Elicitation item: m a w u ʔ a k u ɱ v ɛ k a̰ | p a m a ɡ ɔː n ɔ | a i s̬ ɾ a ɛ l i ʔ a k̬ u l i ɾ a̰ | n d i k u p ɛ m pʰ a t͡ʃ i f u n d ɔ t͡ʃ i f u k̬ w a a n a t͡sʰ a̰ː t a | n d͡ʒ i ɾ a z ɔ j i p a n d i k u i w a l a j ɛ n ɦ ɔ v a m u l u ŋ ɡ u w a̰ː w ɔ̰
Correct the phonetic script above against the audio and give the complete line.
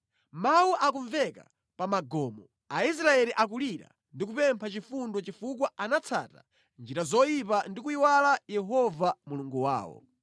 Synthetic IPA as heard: m a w u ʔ a k u ɱ v ɛ k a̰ | p a m a ɡ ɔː m ɔ | a i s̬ ɾ a ɛ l i ʔ a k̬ u l i ɾ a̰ | n d i k u p ɛ m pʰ a t͡ʃ i f u n d ɔ t͡ʃ i f u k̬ w a a n a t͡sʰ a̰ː t a | n d͡ʒ i ɾ a z ɔ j i p a n d i k u i w a l a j ɛ ɦ ɔ v a m u l u ŋ ɡ u w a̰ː w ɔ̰